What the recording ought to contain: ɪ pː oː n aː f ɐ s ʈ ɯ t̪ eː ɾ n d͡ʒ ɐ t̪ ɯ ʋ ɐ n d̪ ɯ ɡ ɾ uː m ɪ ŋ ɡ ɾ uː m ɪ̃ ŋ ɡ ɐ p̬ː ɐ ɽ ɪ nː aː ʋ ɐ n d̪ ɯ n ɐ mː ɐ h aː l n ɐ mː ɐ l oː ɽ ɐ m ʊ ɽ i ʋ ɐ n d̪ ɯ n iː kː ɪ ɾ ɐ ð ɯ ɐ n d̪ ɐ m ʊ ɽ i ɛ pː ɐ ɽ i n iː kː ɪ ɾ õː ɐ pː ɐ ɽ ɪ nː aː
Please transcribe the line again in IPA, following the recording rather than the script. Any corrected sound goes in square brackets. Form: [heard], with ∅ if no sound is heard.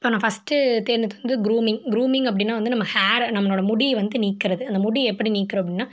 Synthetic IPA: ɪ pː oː n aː f ɐ s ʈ ɯ t̪ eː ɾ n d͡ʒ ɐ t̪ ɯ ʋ ɐ n d̪ ɯ ɡ ɾ uː m ɪ ŋ ɡ ɾ uː m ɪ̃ ŋ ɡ ɐ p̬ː ɐ ɽ ɪ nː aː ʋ ɐ n d̪ ɯ n ɐ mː ɐ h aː [ɾ] n ɐ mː ɐ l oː ɽ ɐ m ʊ ɽ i ʋ ɐ n d̪ ɯ n iː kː ɪ ɾ ɐ ð ɯ ɐ n d̪ ɐ m ʊ ɽ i ɛ pː ɐ ɽ i n iː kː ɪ ɾ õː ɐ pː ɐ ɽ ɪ nː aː

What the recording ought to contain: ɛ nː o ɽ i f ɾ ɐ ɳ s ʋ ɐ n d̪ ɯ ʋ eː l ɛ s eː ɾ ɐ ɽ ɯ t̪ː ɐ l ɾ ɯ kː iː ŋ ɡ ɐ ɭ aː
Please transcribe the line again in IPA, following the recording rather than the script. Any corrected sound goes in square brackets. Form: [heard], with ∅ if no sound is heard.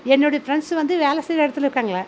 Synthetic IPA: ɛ nː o ɽ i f ɾ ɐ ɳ s ʋ ɐ n d̪ ɯ ʋ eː l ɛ s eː ɾ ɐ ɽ ɯ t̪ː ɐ l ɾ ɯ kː [aː] ŋ ɡ ɐ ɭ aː

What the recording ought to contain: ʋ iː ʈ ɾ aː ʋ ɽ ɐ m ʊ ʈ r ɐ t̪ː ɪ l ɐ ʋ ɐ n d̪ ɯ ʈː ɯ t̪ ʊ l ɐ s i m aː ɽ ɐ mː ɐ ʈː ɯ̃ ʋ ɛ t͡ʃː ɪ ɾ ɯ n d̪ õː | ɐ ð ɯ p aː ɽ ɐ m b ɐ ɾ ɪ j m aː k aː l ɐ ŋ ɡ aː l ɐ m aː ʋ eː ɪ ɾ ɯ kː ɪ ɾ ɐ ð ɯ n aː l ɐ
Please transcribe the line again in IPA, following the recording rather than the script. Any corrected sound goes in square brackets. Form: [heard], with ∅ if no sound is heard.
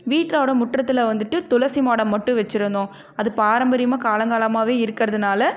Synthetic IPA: ʋ iː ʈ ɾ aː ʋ ɽ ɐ m ʊ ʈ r ɐ t̪ː ɪ l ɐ ʋ ɐ n d̪ ɯ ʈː ɯ t̪ ʊ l ɐ s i m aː ɽ ɐ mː ɐ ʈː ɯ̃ ʋ ɛ t͡ʃː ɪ ɾ ɯ n d̪ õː | ɐ ð ɯ p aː [ɾ] ɐ m b ɐ ɾ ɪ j m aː k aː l ɐ ŋ ɡ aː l ɐ m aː ʋ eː ɪ ɾ ɯ kː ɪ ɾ ɐ ð ɯ n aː l ɐ

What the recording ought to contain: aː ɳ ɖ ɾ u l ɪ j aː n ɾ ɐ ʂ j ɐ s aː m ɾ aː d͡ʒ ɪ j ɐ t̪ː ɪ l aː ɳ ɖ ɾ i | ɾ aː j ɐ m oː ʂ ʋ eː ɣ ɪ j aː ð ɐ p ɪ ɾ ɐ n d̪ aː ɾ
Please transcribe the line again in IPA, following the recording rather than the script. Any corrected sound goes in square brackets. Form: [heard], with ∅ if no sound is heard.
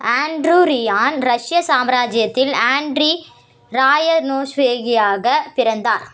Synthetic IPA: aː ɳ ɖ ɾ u [ɾ] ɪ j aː n ɾ ɐ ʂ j ɐ s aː m ɾ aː d͡ʒ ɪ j ɐ t̪ː ɪ l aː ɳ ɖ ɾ i | ɾ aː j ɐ [n] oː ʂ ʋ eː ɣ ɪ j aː [ɣ] ɐ p ɪ ɾ ɐ n d̪ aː ɾ

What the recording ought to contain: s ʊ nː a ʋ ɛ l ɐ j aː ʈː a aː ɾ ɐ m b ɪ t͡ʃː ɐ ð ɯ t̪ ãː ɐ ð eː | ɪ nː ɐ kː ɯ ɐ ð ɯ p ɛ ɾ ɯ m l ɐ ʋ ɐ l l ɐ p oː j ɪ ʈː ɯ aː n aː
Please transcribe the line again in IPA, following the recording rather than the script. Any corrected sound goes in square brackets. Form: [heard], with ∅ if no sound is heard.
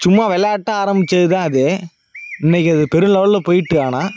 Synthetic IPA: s ʊ [mː] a ʋ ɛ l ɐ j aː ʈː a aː ɾ ɐ m b ɪ t͡ʃː ɐ ð ɯ t̪ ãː ɐ ð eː | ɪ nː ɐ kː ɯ ɐ ð ɯ p ɛ ɾ ɯ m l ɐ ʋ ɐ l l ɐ p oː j ɪ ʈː ɯ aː n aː

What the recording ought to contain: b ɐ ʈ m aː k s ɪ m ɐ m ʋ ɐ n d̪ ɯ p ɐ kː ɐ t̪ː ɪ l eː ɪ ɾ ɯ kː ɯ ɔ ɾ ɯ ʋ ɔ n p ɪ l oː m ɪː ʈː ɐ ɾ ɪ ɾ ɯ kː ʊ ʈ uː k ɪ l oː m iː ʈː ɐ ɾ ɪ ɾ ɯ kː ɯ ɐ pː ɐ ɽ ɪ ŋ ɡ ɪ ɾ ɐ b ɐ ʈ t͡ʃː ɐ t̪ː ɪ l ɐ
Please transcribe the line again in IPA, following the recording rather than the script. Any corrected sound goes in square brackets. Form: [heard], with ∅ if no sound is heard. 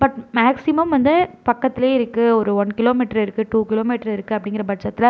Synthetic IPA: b ɐ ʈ m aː k s ɪ m ɐ m ʋ ɐ n d̪ ɯ p ɐ kː ɐ t̪ː ɪ l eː ɪ ɾ ɯ kː ɯ ɔ ɾ ɯ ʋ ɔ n [k] ɪ l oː m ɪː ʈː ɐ ɾ ɪ ɾ ɯ kː [ɯ] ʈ uː k ɪ l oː m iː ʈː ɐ ɾ ɪ ɾ ɯ kː ɯ ɐ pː ɐ ɽ ɪ ŋ ɡ ɪ ɾ ɐ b ɐ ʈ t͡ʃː ɐ t̪ː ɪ l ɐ

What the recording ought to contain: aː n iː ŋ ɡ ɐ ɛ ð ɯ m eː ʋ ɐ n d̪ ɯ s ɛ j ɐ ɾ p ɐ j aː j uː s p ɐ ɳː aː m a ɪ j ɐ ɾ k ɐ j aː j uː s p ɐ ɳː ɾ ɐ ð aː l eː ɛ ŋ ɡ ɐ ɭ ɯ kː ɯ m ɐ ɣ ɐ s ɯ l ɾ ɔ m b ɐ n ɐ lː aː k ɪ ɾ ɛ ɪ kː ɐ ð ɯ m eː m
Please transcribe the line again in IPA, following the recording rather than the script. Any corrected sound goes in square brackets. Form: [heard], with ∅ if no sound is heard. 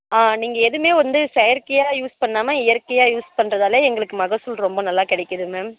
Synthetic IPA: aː n iː ŋ ɡ ɐ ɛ ð ɯ m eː ʋ ɐ n d̪ ɯ s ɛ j ɐ ɾ [k] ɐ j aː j uː s p ɐ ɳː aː m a ɪ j ɐ ɾ k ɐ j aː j uː s p ɐ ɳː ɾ ɐ ð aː l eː ɛ ŋ ɡ ɐ ɭ ɯ kː ɯ m ɐ ɣ ɐ s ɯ l ɾ ɔ m b ɐ n ɐ lː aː k ɪ [ɽ] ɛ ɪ kː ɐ ð ɯ m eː m

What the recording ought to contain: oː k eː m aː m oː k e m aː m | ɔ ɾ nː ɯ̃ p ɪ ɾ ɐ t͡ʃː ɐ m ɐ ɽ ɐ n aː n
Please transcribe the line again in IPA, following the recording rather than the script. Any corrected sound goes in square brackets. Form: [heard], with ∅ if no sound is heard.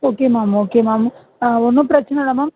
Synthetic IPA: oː k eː m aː m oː k e m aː m | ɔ [∅] nː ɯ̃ p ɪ ɾ ɐ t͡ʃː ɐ [n] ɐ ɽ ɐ [m] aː [m]

